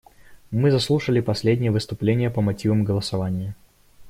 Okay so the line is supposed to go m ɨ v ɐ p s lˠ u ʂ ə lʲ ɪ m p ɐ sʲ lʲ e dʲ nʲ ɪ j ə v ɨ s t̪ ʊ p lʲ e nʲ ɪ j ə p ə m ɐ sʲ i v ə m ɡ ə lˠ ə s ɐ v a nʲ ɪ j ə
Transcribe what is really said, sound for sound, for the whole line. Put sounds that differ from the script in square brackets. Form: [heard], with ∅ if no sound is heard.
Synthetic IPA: m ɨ [z] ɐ [∅] s lˠ u ʂ ə lʲ ɪ [∅] p ɐ sʲ lʲ e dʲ nʲ ɪ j ə v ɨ s t̪ ʊ p lʲ e nʲ ɪ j ə p ə m ɐ [tʲ] i v ə m ɡ ə lˠ ə s ɐ v a nʲ ɪ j ə

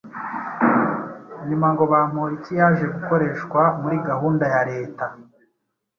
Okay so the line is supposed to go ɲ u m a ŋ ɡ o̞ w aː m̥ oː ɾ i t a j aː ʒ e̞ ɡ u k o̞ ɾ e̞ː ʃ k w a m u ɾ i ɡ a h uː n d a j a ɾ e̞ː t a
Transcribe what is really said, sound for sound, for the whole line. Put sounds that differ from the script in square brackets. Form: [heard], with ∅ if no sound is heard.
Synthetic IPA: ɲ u m a ŋ ɡ o̞ [β] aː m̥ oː ɾ i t [i] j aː ʒ e̞ ɡ u k o̞ ɾ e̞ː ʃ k w a m u ɾ i ɡ a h uː n d a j a ɾ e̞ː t a

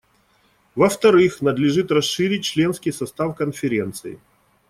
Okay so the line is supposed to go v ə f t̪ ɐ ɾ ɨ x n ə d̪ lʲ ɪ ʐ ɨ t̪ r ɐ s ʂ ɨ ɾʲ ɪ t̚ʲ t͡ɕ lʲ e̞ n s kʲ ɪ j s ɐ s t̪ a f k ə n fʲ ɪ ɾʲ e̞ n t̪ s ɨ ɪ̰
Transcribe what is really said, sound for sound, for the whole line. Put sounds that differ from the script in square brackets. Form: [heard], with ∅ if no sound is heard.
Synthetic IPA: v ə f t̪ ɐ ɾ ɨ x n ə d̪ lʲ ɪ ʐ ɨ t̪ r ɐ s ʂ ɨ ɾʲ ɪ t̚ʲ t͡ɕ lʲ e̞ n s kʲ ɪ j s ɐ s t̪ a f k ə n fʲ ɪ ɾʲ e̞ n t̪ s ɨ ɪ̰

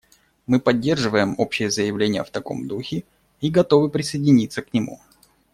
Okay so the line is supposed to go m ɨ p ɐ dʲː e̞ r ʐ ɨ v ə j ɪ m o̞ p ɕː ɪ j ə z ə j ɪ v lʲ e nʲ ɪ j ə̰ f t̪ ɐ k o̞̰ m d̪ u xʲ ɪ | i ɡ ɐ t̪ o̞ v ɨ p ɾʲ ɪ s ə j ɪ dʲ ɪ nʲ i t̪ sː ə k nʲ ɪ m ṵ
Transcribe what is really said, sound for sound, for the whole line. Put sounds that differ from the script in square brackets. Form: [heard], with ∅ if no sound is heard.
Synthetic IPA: m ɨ p ɐ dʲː e̞ r ʐ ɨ v ə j ɪ m o̞ p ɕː ɪ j ə z ə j ɪ v lʲ e nʲ ɪ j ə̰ f t̪ ɐ k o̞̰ m d̪ u xʲ ɪ | i ɡ ɐ t̪ o̞ v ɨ p ɾʲ ɪ s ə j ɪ dʲ ɪ nʲ i t̪ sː ə k nʲ ɪ m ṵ

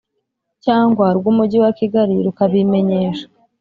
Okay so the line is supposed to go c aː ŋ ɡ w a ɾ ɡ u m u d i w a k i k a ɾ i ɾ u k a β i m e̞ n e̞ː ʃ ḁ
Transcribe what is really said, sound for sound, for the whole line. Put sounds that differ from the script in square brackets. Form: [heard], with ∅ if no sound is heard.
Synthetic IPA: c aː ŋ ɡ w a ɾ ɡ u m u [ɟ] i w a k i [ɡ] a ɾ i ɾ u k a β i m e̞ [ɲ] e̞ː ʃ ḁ

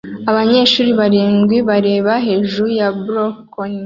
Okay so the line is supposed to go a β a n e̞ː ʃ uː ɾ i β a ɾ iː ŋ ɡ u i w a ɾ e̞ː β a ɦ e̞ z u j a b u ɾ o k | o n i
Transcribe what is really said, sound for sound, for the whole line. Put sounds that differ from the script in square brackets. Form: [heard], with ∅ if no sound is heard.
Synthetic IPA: a β a [ɲ] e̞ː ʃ uː ɾ i β a ɾ iː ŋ ɡ [w] i [β] a ɾ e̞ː β a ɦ e̞ [ʒ] u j a b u ɾ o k | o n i

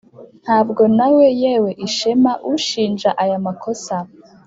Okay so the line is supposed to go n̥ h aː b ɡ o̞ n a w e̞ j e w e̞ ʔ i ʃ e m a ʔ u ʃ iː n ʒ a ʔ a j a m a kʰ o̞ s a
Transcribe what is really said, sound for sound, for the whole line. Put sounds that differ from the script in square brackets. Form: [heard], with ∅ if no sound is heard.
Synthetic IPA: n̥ h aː b ɡ o̞ n a w e̞ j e w e̞ ʔ i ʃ e m a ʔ u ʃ iː n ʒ a ʔ a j a m a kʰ o̞ s a

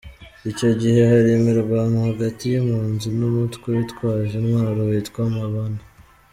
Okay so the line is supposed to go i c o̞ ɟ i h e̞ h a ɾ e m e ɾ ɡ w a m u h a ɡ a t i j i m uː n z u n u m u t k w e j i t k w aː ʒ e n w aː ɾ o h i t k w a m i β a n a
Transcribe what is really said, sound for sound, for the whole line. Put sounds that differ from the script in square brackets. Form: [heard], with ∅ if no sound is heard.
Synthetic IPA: i c o̞ ɟ i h e̞ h a ɾ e m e ɾ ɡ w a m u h a ɡ a t i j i m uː n z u n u m u t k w e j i t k w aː ʒ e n w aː ɾ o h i t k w a m [a] β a n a

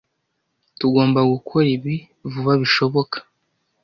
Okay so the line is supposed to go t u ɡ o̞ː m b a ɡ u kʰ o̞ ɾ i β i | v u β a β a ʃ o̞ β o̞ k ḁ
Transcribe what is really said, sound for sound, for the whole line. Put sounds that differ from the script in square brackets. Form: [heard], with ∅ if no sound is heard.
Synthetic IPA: t u ɡ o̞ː m b a ɡ u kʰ o̞ ɾ i β i | v u β a β [i] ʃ o̞ β o̞ k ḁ

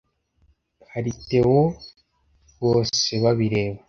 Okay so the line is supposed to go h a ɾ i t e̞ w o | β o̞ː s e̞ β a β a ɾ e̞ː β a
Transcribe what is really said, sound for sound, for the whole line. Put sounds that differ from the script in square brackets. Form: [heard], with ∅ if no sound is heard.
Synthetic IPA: h a ɾ i t e̞ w o | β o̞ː s e̞ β a β [i] ɾ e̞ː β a

